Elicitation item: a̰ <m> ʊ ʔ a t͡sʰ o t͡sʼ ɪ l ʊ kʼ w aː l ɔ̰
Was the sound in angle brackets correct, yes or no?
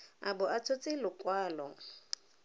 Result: no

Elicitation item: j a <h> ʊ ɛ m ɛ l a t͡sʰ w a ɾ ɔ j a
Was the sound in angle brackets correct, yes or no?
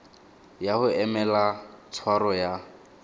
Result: yes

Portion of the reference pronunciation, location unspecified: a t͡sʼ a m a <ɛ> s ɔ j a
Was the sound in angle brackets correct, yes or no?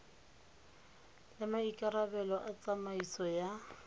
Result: no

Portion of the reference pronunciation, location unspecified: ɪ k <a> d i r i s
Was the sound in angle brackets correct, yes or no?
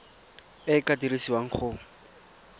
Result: yes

